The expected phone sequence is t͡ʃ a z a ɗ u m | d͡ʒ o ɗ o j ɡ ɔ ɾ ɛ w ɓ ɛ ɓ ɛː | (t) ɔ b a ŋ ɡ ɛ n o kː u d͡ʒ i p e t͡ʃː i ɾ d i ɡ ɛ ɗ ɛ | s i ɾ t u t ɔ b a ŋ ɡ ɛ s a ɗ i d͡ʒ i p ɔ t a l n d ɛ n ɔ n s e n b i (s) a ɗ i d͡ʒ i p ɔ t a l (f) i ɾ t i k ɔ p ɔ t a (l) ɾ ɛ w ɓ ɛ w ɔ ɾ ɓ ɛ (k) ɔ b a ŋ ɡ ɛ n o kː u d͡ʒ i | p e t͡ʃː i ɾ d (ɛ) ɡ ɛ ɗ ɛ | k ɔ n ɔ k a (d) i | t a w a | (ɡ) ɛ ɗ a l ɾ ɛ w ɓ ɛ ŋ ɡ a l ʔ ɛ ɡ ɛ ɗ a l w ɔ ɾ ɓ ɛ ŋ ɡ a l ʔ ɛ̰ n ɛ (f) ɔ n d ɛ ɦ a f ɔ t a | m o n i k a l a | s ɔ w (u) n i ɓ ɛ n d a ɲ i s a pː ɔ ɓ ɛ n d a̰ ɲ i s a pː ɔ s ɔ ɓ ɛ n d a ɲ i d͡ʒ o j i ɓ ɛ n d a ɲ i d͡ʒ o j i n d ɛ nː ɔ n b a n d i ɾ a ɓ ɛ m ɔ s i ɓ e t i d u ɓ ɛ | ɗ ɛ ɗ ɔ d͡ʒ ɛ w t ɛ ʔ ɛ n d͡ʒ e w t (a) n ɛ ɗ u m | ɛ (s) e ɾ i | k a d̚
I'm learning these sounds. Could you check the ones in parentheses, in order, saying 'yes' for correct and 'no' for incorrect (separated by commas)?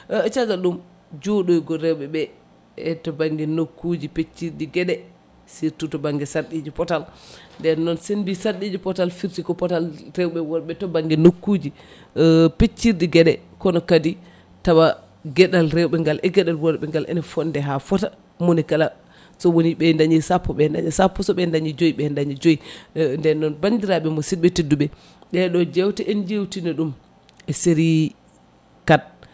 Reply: yes, yes, yes, yes, no, no, yes, yes, yes, no, no, yes